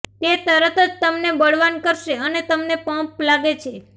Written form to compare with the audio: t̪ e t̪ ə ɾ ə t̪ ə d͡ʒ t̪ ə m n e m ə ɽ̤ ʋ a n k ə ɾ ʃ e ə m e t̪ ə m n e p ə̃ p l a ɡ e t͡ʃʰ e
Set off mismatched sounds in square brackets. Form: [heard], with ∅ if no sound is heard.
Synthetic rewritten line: t̪ e t̪ ə ɾ ə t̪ ə d͡ʒ t̪ ə m n e [b] ə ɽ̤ ʋ a n k ə ɾ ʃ e ə [n] e t̪ ə m n e p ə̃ p l a ɡ e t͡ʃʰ e